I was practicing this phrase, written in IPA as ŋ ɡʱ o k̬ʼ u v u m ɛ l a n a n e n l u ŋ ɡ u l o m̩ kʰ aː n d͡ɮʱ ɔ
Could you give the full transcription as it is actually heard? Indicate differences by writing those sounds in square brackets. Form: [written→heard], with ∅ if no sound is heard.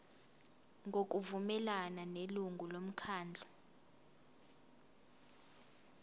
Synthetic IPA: ŋ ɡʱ o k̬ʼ u v u m ɛ l a n a n e [n→∅] l u ŋ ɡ u l o m̩ kʰ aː n d͡ɮʱ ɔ